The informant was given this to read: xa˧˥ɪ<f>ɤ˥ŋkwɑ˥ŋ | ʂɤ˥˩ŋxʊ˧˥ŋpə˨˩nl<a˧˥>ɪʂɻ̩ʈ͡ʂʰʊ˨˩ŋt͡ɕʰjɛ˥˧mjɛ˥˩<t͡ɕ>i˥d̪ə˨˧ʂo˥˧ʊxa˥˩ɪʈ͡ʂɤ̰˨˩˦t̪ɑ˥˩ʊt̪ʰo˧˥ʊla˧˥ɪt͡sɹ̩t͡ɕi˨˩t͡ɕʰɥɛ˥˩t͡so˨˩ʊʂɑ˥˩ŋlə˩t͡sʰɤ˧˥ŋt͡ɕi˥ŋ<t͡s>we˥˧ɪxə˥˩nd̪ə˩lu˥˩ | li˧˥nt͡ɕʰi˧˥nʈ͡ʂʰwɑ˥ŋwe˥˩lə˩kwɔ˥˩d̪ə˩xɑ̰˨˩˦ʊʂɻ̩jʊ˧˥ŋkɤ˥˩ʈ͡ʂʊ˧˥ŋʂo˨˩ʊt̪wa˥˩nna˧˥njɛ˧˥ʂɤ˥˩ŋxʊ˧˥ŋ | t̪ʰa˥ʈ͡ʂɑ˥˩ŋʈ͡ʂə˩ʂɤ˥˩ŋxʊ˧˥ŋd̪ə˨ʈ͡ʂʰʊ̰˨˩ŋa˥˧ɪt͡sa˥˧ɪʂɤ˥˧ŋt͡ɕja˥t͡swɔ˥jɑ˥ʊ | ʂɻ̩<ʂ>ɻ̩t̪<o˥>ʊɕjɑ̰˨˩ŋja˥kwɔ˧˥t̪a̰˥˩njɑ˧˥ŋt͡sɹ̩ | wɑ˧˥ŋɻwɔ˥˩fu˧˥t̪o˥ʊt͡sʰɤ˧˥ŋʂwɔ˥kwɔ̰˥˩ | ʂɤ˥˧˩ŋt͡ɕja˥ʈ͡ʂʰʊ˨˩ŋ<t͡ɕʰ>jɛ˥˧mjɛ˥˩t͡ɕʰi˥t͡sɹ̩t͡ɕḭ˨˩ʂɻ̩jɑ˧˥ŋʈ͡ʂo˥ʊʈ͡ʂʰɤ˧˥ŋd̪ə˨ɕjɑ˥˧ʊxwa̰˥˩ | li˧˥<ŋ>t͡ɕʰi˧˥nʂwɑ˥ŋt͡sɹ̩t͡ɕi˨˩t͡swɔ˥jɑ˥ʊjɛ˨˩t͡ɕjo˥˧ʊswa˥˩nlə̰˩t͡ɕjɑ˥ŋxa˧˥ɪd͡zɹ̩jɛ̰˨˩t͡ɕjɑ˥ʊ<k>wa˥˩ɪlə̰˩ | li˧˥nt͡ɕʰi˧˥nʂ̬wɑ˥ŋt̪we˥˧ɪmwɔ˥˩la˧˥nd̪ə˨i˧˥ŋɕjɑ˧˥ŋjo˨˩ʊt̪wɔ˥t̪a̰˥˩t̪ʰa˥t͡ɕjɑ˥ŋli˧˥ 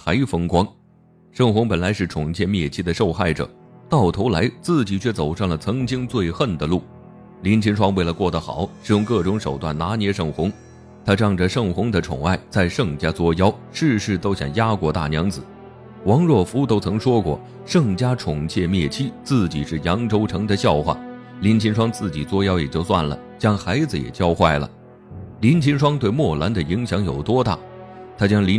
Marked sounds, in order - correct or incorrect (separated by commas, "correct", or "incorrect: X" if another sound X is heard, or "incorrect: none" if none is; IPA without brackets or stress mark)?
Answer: correct, correct, incorrect: t͡ɕʰ, correct, correct, correct, correct, incorrect: n, incorrect: x